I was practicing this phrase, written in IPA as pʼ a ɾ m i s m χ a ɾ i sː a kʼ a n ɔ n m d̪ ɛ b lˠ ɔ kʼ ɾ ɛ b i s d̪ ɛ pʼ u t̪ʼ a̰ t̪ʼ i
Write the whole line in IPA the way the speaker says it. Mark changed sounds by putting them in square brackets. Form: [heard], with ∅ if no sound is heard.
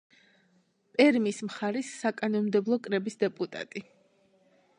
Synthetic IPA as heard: pʼ [ɛ] ɾ m i s m χ a ɾ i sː a kʼ a n ɔ n m d̪ ɛ b lˠ ɔ kʼ ɾ ɛ b i s d̪ ɛ pʼ u t̪ʼ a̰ t̪ʼ i